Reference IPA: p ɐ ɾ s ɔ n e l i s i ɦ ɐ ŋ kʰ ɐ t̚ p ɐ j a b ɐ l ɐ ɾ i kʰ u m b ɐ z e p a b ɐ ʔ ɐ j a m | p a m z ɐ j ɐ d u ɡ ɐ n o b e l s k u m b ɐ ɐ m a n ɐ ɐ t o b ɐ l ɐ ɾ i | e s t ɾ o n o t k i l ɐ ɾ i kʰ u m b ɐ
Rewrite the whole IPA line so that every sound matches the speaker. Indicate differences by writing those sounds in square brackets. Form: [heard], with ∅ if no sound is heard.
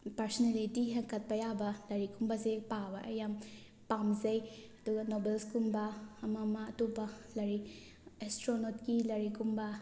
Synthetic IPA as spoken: p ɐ ɾ s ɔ n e l i [t] i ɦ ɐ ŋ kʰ ɐ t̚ p ɐ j a b ɐ l ɐ ɾ i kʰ u m b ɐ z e p a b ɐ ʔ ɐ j a m | p a m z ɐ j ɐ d u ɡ ɐ n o b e l s k u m b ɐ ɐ m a [m] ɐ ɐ t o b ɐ l ɐ ɾ i | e s t ɾ o n o t k i l ɐ ɾ i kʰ u m b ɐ